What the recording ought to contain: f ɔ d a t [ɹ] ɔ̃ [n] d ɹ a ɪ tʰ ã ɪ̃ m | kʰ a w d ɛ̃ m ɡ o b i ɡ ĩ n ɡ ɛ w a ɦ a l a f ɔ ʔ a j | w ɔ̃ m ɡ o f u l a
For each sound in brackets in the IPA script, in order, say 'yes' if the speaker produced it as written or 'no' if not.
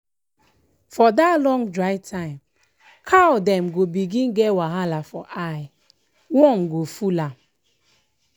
no, no

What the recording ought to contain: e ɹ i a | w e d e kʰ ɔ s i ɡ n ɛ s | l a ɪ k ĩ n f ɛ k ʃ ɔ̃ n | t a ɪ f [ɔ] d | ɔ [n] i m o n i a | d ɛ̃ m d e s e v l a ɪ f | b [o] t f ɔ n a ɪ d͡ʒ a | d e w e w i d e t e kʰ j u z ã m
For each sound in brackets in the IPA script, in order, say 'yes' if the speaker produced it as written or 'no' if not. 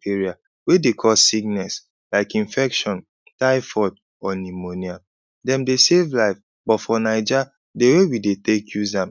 yes, yes, no

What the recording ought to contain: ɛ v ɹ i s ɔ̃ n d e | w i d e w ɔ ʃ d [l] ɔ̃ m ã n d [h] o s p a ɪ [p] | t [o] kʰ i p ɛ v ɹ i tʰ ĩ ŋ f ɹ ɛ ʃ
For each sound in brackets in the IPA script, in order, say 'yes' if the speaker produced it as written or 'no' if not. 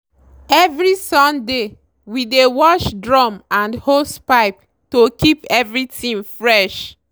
no, yes, yes, yes

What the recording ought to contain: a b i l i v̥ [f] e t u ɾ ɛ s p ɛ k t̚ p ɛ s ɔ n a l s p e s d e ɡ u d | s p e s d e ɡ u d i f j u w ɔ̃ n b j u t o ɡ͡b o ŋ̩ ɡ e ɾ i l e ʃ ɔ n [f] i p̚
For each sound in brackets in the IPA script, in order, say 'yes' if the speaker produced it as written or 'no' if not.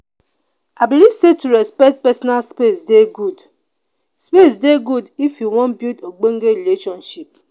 no, no

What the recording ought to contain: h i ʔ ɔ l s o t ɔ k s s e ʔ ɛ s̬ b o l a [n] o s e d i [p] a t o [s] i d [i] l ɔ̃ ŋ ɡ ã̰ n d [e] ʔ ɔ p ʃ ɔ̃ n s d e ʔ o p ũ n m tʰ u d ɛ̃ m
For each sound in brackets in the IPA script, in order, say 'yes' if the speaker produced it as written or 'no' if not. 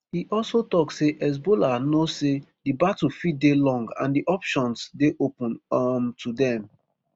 yes, no, no, no, no

